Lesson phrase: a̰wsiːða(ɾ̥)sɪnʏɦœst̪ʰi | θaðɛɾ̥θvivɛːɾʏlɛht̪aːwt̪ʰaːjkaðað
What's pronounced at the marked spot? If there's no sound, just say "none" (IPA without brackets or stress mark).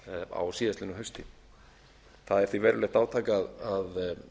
none